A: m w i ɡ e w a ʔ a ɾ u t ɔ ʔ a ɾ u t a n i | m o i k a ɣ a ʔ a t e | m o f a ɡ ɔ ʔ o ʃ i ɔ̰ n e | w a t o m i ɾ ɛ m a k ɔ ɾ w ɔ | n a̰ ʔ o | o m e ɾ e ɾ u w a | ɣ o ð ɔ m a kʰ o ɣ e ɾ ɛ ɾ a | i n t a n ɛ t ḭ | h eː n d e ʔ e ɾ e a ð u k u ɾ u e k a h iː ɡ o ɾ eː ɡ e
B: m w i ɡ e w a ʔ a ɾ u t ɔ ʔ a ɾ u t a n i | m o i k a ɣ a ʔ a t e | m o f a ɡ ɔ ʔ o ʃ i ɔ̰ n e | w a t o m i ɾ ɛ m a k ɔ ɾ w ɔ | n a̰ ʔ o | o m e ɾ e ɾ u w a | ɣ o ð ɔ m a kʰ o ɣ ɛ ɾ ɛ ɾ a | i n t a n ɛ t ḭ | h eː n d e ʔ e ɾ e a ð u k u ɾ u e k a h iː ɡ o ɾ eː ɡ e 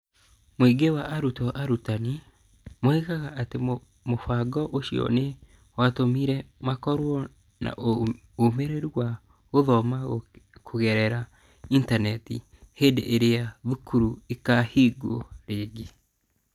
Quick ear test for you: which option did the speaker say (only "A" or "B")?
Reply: B